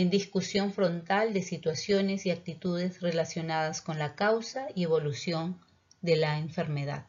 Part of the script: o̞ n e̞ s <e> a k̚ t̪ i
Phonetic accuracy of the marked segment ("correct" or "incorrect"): incorrect